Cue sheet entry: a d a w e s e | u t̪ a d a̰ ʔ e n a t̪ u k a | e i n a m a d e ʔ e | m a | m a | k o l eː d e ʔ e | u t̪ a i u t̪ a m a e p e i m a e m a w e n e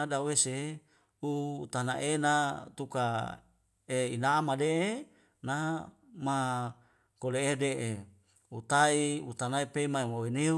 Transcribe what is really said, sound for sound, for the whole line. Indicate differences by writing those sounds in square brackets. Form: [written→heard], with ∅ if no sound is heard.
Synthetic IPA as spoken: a d a w e s e | u t̪ a [d→n] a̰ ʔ e n a t̪ u k a | e i n a m a d e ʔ e | [m→n] a | m a | k o l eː d e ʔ e | u t̪ a i u t̪ a [m→n] a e p e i m a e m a w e n e